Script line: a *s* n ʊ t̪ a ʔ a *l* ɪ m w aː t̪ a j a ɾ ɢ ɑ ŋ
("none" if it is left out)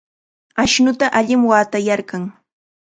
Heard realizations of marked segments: ʃ, ʎ

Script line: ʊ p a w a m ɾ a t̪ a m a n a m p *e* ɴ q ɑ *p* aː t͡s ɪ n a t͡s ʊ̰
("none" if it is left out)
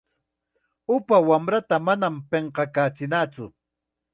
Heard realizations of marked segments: e, k

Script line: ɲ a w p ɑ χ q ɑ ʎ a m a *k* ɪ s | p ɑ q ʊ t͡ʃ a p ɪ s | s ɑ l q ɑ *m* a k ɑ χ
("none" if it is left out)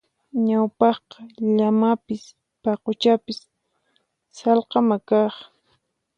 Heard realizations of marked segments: p, m

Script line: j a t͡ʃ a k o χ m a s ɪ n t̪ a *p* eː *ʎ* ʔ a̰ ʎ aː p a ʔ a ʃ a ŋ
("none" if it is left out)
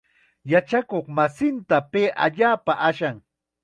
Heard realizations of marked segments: p, none

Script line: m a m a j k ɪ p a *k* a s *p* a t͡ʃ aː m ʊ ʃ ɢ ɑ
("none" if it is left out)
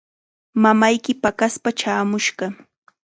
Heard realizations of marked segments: k, p

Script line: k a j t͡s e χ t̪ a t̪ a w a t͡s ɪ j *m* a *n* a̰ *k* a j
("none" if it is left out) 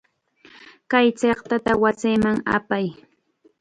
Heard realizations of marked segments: m, ŋ, p

